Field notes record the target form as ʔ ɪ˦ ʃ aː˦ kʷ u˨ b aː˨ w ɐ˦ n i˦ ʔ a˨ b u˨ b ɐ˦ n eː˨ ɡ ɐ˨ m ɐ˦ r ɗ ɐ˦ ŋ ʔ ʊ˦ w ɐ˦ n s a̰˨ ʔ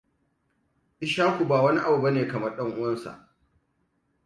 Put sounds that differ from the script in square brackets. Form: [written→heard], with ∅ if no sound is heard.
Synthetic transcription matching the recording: ʔ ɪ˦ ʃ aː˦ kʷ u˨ b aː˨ w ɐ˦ n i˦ ʔ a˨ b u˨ b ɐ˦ n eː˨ [ɡ→k] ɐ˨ m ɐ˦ r ɗ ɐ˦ ŋ ʔ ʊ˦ w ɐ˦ n s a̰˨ ʔ